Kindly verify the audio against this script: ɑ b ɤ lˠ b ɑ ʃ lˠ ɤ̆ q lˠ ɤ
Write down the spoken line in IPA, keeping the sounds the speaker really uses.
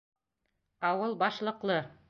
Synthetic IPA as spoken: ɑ w ɤ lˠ b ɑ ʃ lˠ ɤ̆ q lˠ ɤ